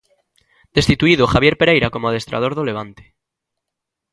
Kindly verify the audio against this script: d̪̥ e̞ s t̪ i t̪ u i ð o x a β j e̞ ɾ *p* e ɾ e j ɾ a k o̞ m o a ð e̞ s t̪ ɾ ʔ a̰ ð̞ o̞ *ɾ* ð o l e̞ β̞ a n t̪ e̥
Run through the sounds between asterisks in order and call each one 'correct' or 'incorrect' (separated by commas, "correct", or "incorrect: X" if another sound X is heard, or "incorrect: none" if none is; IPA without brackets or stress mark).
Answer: correct, correct